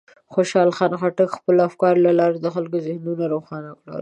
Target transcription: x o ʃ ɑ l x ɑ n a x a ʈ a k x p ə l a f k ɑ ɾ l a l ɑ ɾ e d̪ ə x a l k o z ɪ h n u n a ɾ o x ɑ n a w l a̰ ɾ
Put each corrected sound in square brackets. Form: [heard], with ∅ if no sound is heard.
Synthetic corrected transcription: x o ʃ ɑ l x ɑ n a x a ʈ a k x p ə l a f k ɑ ɾ l a l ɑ ɾ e d̪ ə x a l k o z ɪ h n u n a ɾ o x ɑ n a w l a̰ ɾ